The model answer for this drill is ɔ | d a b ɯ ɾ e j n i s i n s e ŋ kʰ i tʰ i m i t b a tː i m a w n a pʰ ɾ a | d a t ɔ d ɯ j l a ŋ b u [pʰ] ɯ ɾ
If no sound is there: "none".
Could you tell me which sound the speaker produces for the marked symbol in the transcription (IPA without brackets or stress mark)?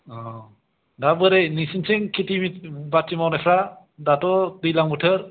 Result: tʰ